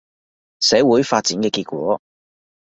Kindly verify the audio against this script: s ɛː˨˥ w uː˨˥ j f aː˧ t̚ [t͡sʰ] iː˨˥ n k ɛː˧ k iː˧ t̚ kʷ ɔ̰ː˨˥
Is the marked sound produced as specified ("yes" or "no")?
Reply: no